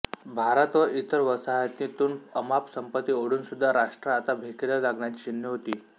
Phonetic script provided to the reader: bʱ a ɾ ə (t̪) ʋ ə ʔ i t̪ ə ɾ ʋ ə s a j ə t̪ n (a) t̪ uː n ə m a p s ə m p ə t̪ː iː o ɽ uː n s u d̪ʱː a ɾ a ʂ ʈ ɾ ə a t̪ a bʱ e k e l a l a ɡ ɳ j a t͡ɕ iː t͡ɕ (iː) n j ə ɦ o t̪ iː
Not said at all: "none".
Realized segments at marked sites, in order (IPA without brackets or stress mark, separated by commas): t̪, i, i